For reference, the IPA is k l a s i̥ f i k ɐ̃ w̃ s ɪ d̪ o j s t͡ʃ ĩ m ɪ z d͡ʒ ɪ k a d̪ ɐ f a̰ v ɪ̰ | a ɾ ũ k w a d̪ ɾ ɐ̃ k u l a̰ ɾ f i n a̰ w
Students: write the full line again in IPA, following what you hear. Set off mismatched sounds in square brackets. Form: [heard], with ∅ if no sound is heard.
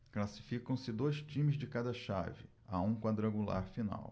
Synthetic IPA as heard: k l a s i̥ f i k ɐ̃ w̃ s ɪ d̪ o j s t͡ʃ ĩ m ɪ z d͡ʒ ɪ k a d̪ ɐ [ʃ] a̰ v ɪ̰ | a [∅] ũ k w a d̪ ɾ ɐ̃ [ɡ] u l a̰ ɾ f i n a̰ w